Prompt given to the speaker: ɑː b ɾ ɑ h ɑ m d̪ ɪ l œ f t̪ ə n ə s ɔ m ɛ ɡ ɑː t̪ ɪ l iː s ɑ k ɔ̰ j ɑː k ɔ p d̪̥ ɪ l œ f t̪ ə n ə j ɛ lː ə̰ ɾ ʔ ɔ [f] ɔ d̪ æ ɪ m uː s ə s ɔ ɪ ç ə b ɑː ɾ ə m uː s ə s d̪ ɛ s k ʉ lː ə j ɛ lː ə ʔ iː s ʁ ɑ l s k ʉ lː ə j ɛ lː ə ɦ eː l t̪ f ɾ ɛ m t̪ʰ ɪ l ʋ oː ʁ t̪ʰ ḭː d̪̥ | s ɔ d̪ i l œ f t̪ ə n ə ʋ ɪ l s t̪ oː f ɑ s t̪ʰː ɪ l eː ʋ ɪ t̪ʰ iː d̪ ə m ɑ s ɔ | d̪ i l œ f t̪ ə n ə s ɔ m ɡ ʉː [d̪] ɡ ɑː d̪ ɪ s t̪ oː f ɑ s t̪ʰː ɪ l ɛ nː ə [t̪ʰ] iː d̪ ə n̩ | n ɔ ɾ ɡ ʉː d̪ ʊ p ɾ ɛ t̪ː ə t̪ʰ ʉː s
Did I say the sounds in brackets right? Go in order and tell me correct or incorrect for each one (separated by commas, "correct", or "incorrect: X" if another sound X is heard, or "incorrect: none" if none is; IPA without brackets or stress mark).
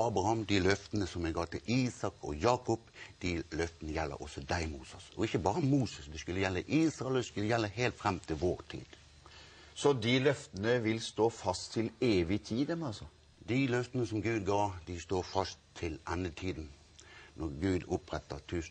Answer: incorrect: s, correct, correct